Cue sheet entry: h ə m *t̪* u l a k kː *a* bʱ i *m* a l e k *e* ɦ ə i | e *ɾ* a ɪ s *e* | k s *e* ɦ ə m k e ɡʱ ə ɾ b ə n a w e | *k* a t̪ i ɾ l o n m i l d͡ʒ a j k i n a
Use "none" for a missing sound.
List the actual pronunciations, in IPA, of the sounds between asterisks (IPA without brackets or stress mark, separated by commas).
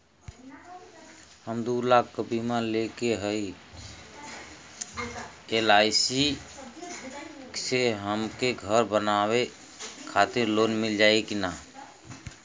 d̪, ə, m, e, l, i, e, kʰ